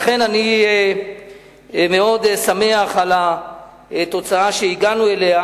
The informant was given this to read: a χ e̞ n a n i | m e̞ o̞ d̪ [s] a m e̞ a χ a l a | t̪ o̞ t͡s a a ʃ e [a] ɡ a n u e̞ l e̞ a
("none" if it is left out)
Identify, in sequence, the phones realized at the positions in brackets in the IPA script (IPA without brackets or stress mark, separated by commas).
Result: s, i